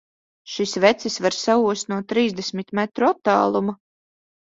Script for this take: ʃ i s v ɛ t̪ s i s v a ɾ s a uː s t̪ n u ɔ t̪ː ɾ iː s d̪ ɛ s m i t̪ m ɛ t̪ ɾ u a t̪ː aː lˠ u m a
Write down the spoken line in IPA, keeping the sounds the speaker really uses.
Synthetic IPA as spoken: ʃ i s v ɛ t̪ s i s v a ɾ s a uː s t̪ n u ɔ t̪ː ɾ iː z d̪ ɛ s m i t̪ m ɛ t̪ ɾ u a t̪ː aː lˠ u m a